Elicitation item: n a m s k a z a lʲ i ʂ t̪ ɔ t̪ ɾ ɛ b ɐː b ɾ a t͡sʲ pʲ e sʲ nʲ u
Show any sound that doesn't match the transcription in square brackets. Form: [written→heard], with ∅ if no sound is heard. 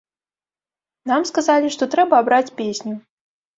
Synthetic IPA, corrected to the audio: n a m s k a z a lʲ i ʂ t̪ ɔ t̪ ɾ ɛ b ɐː b ɾ a t͡sʲ pʲ e sʲ nʲ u